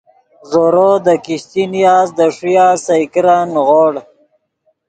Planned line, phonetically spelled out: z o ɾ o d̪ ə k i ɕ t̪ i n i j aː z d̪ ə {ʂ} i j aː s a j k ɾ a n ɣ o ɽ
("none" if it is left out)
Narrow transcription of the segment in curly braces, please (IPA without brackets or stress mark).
ʂ